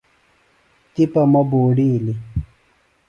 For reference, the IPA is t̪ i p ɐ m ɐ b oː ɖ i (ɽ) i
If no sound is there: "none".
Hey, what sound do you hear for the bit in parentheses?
l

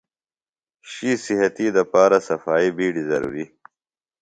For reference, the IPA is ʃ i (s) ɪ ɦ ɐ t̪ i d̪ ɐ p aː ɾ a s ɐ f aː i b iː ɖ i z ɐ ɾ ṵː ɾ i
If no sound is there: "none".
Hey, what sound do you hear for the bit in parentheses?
s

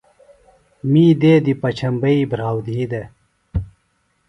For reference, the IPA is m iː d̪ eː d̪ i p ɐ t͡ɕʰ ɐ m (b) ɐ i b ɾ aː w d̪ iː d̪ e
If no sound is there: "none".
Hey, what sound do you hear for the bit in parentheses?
b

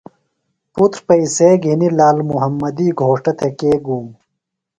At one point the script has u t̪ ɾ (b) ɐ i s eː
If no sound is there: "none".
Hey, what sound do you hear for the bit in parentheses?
p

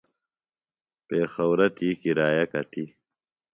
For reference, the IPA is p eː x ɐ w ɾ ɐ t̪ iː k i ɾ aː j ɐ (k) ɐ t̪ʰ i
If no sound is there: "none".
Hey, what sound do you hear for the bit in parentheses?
k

